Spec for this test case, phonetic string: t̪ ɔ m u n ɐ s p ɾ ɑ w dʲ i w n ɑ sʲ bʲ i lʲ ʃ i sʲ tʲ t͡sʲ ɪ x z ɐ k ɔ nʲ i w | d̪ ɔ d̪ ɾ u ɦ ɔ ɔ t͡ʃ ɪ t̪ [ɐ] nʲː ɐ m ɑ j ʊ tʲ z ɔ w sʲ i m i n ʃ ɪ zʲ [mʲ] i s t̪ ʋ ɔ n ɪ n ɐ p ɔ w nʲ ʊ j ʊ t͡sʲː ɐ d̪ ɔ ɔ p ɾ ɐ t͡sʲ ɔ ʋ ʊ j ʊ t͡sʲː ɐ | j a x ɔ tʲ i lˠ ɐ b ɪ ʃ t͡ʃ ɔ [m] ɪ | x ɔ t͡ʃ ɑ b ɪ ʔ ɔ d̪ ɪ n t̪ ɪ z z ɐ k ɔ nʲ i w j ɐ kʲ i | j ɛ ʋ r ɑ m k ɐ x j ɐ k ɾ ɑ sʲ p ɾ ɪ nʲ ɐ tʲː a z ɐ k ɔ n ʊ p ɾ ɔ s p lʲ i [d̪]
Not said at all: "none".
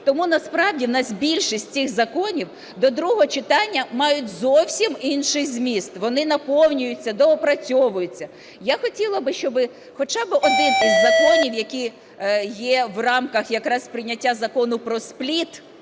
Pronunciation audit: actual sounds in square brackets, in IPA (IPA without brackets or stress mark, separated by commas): ɑ, mʲ, b, t̪